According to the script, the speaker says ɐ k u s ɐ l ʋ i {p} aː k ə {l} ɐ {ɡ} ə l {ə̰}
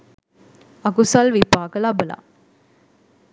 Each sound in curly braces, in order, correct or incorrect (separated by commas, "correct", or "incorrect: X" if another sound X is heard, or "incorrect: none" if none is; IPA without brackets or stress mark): correct, correct, incorrect: b, incorrect: a̰